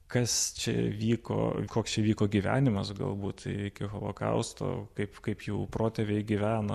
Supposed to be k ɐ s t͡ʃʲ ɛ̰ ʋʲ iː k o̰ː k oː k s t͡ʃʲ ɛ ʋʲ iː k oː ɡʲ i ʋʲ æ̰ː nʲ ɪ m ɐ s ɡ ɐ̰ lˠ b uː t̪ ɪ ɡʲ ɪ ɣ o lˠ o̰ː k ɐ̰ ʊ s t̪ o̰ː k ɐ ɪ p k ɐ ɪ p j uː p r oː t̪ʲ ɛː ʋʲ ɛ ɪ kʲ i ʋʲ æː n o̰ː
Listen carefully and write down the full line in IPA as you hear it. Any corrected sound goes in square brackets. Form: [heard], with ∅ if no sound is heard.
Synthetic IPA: k ɐ s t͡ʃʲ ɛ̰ ʋʲ iː k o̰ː k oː k s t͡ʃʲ ɛ ʋʲ iː k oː ɡʲ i ʋʲ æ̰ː nʲ ɪ m ɐ s ɡ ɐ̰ lˠ b uː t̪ ɪ [kʲ] ɪ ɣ o lˠ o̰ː k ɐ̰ ʊ s t̪ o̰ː k ɐ ɪ p k ɐ ɪ p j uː p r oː t̪ʲ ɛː ʋʲ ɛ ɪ [ɡʲ] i ʋʲ æː n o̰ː